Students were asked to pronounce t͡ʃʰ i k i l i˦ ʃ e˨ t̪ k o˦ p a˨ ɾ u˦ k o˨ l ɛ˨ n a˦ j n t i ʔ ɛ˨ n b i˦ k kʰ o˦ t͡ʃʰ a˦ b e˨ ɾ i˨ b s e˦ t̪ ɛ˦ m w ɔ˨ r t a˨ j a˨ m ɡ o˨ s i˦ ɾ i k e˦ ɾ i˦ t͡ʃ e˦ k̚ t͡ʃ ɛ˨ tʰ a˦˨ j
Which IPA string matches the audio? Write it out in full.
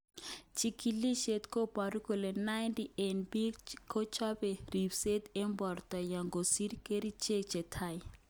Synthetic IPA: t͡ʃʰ i k i l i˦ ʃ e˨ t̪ k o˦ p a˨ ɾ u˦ k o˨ l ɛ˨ n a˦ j n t i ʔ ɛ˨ n b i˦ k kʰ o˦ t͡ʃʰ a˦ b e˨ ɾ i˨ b s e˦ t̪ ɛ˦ m b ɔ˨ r t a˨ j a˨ ŋ ɡ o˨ s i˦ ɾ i k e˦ ɾ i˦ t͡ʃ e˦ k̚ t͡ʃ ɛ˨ tʰ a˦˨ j